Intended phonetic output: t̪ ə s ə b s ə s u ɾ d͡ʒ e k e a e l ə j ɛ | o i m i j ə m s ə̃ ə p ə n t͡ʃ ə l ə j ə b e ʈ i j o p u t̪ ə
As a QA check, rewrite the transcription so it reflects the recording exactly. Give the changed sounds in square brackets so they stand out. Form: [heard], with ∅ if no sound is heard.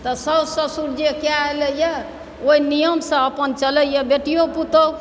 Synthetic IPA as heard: t̪ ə s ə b s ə s u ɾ d͡ʒ e k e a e l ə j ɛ | o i [n] i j ə m s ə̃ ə p ə n t͡ʃ ə l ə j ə b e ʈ i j o p u t̪ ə